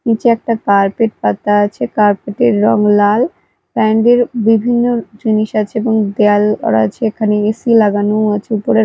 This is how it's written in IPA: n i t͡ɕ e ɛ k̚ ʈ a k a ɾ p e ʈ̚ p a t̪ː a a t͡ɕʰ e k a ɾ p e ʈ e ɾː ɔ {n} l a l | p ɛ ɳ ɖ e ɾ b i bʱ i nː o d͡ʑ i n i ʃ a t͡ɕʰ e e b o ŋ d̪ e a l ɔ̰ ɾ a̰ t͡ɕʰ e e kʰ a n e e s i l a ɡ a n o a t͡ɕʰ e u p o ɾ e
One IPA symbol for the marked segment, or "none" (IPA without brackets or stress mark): ŋ